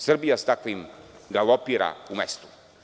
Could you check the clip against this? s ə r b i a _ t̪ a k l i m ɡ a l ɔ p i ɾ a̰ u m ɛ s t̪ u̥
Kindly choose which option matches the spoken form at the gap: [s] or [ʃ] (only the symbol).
s